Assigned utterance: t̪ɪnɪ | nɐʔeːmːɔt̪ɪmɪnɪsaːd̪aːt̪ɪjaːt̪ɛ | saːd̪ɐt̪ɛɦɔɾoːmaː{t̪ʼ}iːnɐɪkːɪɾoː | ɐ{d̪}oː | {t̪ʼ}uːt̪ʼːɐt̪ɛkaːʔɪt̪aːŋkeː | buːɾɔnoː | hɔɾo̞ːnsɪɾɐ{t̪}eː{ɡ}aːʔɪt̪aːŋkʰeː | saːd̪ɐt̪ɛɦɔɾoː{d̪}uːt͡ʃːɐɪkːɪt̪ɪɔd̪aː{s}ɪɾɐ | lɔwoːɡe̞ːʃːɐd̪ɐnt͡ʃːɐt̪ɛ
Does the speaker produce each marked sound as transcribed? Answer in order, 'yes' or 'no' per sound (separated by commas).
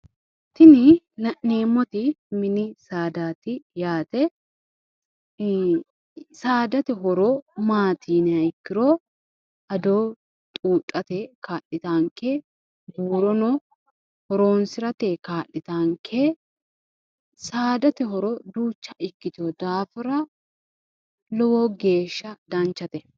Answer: no, yes, yes, yes, no, yes, no